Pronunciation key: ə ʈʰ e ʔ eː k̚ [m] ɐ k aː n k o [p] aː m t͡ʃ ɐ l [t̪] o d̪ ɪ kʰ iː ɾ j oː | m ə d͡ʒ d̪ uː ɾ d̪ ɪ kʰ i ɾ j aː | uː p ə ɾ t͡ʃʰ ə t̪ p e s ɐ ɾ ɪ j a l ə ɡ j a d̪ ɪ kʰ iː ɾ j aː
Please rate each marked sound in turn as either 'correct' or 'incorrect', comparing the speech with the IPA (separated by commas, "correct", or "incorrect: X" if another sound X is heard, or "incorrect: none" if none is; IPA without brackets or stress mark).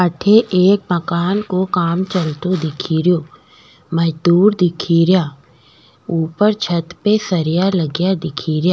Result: correct, incorrect: k, correct